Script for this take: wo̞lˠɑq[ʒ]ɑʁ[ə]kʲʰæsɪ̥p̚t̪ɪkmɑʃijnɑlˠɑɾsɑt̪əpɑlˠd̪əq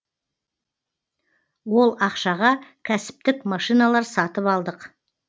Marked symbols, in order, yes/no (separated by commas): no, no